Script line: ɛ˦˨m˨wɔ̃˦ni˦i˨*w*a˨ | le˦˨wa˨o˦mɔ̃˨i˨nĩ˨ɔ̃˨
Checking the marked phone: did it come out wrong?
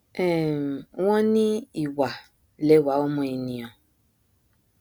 no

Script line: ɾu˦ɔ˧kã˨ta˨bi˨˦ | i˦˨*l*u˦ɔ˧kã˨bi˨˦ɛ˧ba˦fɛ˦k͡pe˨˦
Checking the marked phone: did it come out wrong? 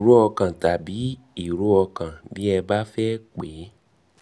yes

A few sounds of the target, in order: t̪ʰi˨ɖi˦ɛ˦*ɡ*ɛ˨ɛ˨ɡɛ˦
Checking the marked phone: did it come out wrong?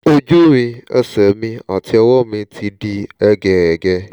no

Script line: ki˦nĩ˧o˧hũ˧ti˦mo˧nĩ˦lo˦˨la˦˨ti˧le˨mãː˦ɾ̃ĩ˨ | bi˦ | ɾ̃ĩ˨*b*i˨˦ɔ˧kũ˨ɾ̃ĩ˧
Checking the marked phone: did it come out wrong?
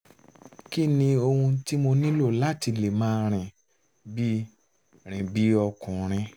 no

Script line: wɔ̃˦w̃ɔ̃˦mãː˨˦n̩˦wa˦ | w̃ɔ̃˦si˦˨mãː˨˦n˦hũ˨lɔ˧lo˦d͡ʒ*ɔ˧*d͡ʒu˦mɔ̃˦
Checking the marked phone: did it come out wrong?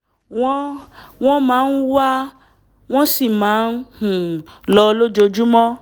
yes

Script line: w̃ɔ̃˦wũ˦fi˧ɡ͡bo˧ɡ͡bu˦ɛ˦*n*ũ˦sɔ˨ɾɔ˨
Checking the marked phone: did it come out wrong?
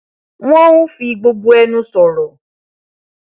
no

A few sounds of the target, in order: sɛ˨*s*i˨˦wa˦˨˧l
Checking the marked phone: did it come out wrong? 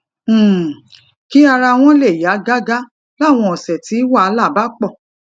yes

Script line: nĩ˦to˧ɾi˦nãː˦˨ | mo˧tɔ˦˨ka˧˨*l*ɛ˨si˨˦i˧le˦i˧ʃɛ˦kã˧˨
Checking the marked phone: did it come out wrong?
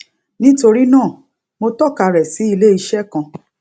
yes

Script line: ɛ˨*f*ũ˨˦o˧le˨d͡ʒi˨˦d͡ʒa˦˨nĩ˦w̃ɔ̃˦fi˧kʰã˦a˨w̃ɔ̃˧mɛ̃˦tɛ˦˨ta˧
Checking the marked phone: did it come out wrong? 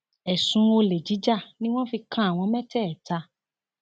yes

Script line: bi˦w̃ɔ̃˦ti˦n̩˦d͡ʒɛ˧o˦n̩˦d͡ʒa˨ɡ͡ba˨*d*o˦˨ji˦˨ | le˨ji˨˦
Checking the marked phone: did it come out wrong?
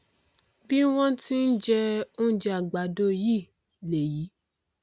no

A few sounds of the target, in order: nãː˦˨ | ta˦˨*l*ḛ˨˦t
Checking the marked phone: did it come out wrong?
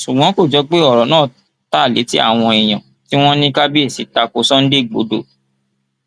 no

